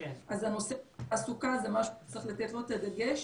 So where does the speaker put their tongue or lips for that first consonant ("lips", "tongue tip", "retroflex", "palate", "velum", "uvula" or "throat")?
tongue tip